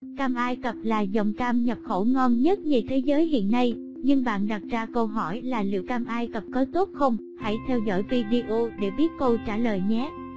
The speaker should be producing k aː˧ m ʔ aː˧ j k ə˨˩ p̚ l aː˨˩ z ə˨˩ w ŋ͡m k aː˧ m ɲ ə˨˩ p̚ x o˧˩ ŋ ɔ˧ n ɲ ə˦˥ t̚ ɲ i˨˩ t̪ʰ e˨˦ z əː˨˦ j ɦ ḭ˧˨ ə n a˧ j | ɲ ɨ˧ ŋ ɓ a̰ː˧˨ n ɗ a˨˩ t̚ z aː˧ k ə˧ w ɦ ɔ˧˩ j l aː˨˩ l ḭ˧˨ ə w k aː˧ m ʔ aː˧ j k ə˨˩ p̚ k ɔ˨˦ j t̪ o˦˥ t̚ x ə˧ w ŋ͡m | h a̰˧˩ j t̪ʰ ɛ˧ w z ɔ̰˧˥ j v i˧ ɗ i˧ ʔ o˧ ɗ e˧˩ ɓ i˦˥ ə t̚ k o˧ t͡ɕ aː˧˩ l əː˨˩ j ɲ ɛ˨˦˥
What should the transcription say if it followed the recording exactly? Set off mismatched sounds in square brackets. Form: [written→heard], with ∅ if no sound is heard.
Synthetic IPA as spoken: k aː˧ m ʔ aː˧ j k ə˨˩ p̚ l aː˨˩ z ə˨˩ w ŋ͡m k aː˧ m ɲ ə˨˩ p̚ x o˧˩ ŋ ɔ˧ n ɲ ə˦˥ t̚ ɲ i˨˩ t̪ʰ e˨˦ z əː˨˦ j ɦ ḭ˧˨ ə [n→nː] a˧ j | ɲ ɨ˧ ŋ ɓ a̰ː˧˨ n ɗ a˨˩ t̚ z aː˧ k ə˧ w ɦ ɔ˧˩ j l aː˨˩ l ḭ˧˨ ə w k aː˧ m ʔ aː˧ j k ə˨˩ p̚ k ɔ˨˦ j t̪ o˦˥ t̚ x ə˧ w ŋ͡m | h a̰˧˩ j t̪ʰ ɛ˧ w z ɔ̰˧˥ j v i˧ ɗ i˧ ʔ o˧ ɗ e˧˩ ɓ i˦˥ ə t̚ k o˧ t͡ɕ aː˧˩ l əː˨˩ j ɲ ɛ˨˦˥